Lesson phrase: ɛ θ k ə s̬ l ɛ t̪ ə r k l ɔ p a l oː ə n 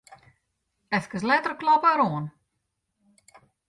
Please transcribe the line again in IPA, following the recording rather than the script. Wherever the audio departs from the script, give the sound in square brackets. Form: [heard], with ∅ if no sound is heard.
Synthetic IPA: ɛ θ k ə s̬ l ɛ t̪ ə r k l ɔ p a [ɾ] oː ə n